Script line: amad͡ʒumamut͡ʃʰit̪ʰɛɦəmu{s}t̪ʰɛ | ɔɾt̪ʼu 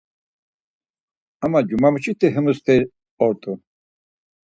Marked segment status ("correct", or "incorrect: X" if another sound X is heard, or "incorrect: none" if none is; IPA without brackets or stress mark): correct